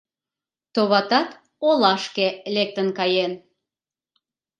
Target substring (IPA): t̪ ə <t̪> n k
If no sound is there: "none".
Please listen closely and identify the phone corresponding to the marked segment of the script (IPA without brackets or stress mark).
none